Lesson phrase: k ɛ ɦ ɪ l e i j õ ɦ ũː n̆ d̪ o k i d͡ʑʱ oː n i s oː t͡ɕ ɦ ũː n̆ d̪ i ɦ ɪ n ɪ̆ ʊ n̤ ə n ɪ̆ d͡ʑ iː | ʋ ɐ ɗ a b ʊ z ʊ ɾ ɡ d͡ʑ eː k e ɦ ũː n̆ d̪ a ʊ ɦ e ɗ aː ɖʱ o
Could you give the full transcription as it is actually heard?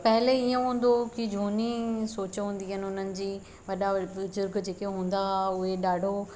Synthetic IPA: p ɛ ɦ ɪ l e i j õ ɦ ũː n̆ d̪ o k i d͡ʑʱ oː n i s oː t͡ɕ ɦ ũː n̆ d̪ i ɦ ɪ n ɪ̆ ʊ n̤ ə n ɪ̆ d͡ʑ iː | ʋ ɐ ɗ a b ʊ z ʊ ɾ ɡ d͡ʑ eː k e ɦ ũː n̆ d̪ a ʊ ɦ e ɗ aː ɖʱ o